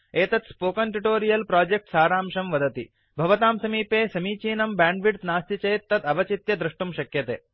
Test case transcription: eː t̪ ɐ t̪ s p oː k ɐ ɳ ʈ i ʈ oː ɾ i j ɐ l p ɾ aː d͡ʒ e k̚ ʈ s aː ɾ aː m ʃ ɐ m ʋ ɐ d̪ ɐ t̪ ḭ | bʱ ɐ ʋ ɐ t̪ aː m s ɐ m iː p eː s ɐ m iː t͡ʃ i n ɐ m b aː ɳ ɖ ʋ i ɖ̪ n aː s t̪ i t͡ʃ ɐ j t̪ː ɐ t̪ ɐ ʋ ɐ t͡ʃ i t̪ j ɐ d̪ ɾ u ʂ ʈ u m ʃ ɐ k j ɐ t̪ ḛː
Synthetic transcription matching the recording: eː t̪ ɐ t̪ s p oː k ɐ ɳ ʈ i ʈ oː ɾ i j ɐ l p ɾ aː d͡ʒ e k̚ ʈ s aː ɾ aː m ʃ ɐ m ʋ ɐ d̪ ɐ t̪ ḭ | bʱ ɐ ʋ ɐ t̪ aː m s ɐ m iː p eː s ɐ m iː t͡ʃ iː n ɐ m b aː ɳ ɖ ʋ i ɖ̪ n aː s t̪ i t͡ʃ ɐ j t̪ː ɐ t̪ ɐ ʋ ɐ t͡ʃ i t̪ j ɐ d̪ ɾ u ʂ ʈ u m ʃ ɐ k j ɐ t̪ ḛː